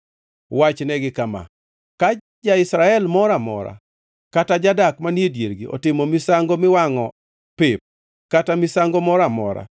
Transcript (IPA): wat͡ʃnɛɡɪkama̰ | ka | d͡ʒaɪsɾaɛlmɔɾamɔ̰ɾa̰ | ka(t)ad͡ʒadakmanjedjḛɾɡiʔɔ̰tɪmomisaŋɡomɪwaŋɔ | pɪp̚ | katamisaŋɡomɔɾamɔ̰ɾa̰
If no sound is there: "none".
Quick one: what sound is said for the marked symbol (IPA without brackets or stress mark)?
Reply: t